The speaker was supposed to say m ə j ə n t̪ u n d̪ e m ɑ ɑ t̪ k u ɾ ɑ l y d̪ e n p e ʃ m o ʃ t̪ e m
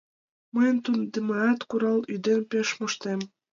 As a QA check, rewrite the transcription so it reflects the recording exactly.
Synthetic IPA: m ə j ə n t̪ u n d̪ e m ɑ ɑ t̪ k u ɾ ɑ l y d̪ e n p e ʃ m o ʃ t̪ e m